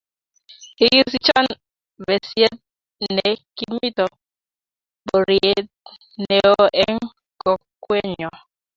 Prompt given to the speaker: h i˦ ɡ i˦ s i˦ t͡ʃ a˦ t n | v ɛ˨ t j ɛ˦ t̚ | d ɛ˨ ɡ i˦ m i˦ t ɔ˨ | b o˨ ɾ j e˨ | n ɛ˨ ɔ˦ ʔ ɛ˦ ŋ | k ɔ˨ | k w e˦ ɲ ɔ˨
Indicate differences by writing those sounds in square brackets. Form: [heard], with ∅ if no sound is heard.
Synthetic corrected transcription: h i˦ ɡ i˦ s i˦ t͡ʃ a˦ [∅] n | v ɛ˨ [s] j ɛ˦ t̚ | [n] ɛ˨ [k] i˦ m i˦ t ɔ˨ | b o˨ ɾ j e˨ | n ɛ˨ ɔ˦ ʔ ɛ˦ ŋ | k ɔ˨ | k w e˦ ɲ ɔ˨